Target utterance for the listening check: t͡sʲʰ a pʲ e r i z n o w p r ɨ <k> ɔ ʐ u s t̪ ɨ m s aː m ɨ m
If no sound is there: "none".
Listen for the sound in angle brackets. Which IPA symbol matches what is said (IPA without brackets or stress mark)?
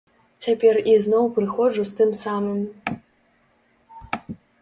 x